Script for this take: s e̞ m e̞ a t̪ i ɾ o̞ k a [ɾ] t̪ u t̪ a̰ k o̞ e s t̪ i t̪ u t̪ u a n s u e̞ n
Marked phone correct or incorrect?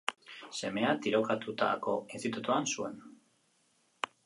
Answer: incorrect